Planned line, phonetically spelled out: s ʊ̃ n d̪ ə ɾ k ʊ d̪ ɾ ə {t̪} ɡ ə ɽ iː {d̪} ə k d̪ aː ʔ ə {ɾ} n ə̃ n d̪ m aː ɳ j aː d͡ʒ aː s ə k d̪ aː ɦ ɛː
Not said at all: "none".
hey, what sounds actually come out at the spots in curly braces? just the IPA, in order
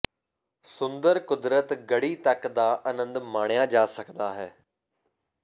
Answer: t̪, t̪, none

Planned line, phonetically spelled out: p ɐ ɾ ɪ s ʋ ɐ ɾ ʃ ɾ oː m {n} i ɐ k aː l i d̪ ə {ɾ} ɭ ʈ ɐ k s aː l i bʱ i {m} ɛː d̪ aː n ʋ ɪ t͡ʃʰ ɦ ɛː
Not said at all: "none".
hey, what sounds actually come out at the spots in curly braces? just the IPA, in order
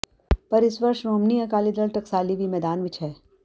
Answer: n, none, m

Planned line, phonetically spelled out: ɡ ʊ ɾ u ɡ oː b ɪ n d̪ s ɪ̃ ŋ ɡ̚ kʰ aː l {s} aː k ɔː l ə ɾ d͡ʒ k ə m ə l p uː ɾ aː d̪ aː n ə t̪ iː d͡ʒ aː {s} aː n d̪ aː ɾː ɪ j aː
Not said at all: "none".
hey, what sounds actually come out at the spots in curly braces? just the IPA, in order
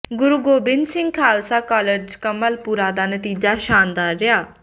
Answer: s, ʃ

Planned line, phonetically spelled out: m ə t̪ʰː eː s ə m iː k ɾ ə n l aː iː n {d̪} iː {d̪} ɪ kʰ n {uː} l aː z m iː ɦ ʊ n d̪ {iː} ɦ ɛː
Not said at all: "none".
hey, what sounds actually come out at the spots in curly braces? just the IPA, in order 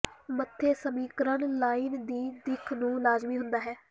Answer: d̪, d̪, ũː, aː

